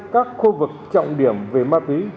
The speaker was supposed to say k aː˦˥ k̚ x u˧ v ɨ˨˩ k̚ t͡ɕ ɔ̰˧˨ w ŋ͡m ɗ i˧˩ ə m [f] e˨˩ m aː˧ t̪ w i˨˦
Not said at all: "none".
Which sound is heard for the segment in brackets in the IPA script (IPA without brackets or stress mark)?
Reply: v